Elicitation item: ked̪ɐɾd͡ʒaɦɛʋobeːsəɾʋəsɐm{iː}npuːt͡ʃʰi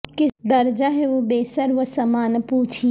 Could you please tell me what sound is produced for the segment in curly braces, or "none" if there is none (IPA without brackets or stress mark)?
aː